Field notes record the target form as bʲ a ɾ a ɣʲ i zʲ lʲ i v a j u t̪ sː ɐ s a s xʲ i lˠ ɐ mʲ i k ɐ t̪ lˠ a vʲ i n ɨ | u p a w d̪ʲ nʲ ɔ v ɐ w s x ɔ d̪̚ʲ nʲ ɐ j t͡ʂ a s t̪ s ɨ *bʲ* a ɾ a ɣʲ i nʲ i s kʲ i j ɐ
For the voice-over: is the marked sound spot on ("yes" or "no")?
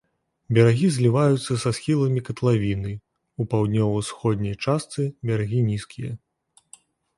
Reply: yes